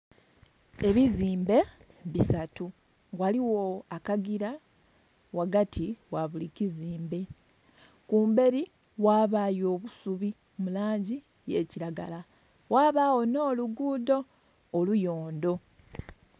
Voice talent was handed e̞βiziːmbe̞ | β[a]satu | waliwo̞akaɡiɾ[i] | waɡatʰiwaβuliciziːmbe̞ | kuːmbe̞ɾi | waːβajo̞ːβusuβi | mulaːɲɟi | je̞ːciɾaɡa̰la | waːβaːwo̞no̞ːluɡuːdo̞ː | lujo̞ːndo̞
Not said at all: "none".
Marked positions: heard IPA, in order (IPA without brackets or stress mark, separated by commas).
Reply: i, a